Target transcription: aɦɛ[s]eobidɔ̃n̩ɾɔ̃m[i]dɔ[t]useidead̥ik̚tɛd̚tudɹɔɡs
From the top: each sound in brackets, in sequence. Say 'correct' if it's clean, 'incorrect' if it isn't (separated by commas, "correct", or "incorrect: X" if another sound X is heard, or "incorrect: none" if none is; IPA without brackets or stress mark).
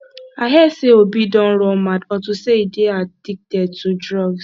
correct, incorrect: a, correct